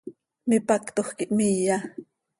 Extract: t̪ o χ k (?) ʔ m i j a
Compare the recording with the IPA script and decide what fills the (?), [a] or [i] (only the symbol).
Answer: i